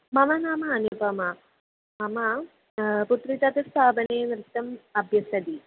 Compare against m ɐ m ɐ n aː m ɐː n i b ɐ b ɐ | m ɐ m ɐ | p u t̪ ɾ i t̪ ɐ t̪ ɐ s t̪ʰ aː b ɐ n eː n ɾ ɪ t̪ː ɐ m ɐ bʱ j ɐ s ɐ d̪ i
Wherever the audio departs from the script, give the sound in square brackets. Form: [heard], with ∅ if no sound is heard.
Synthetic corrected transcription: m ɐ m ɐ n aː m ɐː n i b ɐ [m] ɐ | m ɐ m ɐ | p u t̪ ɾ i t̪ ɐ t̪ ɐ s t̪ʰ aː b ɐ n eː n ɾ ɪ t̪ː ɐ m ɐ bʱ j ɐ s ɐ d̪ i